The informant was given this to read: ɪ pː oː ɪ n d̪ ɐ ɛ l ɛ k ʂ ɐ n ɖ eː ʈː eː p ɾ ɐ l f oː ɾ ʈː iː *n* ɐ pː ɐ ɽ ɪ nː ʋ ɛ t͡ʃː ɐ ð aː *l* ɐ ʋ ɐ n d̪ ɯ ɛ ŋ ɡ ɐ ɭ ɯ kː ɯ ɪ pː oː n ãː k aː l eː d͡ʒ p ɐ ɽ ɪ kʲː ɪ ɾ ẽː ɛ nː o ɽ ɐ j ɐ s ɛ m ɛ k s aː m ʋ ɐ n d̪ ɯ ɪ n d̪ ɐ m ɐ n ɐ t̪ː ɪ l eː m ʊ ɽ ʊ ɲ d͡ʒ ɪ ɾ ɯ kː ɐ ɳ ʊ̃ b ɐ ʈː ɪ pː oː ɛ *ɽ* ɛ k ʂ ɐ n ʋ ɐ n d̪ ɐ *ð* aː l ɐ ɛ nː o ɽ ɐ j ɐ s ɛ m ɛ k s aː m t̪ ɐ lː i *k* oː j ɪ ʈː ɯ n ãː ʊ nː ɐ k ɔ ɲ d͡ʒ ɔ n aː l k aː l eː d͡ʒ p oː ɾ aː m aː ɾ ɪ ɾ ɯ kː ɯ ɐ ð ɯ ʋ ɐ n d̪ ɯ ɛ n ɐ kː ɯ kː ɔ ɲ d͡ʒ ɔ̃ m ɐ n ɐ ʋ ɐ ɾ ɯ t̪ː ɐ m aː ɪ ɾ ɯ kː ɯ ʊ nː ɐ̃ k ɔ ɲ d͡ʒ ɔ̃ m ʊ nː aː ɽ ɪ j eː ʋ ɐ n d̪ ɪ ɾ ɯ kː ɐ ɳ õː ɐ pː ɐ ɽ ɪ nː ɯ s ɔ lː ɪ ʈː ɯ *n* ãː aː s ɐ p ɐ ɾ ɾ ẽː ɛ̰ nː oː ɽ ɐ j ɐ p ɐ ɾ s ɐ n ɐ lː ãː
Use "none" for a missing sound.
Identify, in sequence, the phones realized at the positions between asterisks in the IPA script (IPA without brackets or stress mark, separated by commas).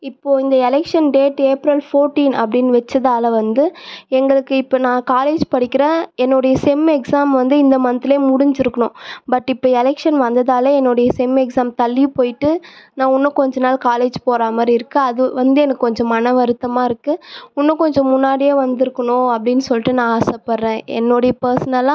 n, l, l, ð, p, n